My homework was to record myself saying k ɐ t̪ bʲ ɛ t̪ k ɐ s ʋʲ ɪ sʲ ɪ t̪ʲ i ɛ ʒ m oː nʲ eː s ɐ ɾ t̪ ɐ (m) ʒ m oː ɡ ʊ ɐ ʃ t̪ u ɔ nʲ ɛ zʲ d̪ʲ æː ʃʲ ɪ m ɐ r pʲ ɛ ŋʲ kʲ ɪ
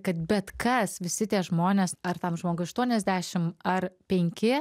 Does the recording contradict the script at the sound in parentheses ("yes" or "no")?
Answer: no